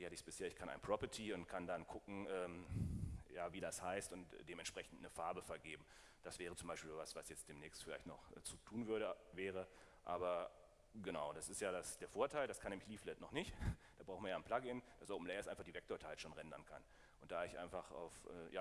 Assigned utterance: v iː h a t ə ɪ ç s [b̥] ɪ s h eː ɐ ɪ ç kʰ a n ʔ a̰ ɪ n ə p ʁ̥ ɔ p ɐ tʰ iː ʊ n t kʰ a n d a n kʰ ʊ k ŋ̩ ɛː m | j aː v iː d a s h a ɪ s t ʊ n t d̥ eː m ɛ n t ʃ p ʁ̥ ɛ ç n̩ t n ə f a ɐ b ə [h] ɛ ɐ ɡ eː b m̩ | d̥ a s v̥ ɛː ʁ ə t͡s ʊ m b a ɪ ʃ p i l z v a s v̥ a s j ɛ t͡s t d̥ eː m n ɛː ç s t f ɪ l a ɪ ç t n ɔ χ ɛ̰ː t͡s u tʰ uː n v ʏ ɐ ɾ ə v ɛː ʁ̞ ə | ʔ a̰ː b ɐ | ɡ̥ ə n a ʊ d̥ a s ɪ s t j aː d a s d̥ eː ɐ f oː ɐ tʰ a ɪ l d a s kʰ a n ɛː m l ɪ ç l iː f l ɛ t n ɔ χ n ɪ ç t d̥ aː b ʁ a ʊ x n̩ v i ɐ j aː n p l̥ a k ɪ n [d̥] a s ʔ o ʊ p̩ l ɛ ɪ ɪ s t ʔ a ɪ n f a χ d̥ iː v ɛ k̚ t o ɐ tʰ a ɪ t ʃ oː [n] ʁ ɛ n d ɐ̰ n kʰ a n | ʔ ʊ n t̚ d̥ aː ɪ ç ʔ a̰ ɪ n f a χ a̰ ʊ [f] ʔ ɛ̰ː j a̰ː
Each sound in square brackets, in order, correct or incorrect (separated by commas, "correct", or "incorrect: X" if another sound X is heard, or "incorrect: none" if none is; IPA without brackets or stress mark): correct, incorrect: f, correct, correct, correct